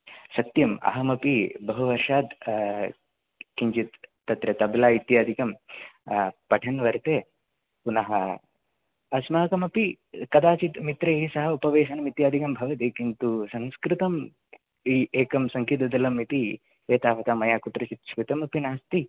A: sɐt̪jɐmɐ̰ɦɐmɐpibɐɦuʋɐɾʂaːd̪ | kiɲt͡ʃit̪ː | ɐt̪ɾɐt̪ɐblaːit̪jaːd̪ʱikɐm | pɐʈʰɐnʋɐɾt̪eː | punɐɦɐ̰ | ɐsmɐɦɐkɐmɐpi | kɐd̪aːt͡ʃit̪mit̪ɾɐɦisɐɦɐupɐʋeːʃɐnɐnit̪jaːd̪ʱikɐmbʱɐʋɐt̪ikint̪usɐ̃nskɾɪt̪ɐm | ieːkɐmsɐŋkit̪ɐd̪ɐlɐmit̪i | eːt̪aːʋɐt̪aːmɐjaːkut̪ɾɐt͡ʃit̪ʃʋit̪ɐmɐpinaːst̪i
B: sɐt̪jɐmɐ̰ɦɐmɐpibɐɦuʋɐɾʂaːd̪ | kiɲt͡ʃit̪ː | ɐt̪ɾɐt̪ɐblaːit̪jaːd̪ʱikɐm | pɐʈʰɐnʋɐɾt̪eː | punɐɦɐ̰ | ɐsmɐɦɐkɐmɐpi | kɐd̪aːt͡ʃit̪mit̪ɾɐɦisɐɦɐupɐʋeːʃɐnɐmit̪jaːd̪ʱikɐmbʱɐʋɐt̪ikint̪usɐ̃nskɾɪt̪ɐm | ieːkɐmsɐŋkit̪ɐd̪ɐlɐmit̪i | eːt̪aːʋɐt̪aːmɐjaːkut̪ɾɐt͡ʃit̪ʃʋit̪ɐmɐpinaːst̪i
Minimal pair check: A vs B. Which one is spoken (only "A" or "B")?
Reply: B